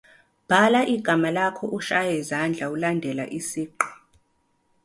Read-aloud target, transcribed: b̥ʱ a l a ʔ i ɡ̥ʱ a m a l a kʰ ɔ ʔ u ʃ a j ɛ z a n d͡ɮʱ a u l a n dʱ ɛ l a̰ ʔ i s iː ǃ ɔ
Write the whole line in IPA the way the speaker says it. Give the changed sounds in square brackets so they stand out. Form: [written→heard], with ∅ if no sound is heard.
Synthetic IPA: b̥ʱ a l a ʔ i ɡ̥ʱ a m a l a kʰ ɔ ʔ u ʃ a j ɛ z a n d͡ɮʱ a u l a n dʱ ɛ l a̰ ʔ i s iː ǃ ɔ